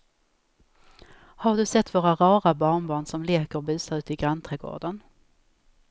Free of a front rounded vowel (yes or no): yes